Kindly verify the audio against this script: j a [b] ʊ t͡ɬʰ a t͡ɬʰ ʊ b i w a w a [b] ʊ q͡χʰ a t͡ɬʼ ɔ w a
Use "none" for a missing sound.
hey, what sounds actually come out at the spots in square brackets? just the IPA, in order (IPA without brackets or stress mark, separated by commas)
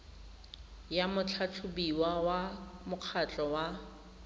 m, m